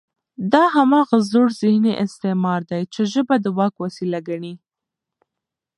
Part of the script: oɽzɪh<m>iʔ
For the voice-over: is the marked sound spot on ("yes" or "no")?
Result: no